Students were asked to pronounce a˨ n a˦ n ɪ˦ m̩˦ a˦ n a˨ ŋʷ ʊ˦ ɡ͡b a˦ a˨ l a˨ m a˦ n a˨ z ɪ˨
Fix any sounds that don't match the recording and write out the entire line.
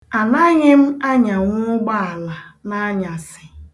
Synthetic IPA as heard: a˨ n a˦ ɲ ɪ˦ m̩˦ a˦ ɲ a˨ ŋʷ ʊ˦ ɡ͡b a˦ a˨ l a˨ n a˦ ɲ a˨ s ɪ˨